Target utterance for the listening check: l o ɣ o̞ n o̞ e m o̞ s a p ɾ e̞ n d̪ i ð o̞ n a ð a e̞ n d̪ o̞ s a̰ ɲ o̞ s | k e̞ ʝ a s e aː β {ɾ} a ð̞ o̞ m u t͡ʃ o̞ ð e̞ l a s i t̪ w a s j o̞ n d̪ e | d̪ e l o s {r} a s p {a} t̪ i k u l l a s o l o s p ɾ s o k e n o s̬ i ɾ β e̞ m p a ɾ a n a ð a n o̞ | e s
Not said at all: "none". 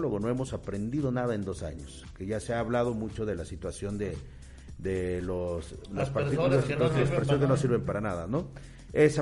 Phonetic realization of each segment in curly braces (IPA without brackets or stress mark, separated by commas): l, l, a